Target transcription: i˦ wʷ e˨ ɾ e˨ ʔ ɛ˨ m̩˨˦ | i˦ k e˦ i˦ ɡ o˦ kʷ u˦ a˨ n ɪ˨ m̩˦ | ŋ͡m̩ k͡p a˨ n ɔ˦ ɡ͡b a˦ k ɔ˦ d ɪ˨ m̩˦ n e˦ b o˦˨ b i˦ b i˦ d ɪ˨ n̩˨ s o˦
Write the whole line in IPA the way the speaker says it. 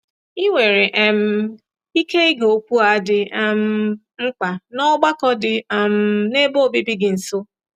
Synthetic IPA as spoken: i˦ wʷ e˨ ɾ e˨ ʔ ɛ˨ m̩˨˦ | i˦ k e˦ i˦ ɡ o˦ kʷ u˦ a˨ d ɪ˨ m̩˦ | ŋ͡m̩ k͡p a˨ n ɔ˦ ɡ͡b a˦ k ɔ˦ d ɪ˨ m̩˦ n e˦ b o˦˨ b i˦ b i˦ ɡ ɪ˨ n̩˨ s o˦